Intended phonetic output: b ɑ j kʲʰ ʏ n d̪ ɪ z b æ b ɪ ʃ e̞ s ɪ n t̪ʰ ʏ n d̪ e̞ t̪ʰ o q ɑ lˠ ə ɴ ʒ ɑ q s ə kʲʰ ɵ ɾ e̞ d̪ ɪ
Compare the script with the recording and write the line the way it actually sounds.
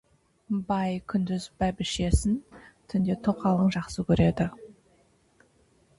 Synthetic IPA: b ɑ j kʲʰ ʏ n d̪ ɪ z b æ b ɪ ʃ e̞ s ɪ n t̪ʰ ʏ n d̪ e̞ t̪ʰ o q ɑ lˠ ə ɴ ʒ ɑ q s ə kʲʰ ɵ ɾ e̞ d̪ ɪ